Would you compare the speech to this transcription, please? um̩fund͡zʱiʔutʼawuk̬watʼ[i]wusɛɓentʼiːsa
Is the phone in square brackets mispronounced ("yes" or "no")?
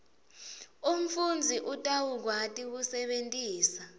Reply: no